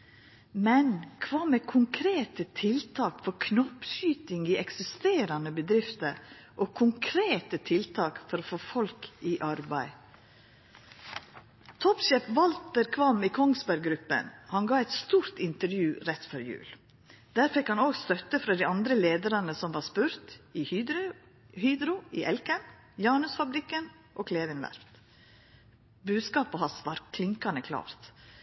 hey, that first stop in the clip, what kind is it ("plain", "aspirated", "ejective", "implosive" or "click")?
aspirated